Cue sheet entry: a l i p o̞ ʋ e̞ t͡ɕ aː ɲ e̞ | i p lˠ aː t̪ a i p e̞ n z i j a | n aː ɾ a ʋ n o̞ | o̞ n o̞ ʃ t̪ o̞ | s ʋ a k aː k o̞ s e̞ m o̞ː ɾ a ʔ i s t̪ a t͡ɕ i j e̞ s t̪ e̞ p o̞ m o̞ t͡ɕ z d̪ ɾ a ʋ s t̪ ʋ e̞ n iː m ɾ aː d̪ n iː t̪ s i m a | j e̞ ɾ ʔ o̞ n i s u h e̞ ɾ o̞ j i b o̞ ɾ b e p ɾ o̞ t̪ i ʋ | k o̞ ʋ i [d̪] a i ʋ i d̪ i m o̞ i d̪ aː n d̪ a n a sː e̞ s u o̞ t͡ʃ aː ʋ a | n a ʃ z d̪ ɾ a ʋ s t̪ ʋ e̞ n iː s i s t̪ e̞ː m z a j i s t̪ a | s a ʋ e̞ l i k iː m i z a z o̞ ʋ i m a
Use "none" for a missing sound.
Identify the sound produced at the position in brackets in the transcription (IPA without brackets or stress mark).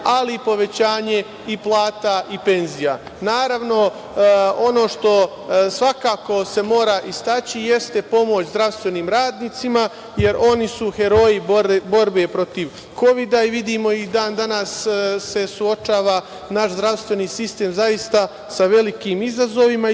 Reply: d̪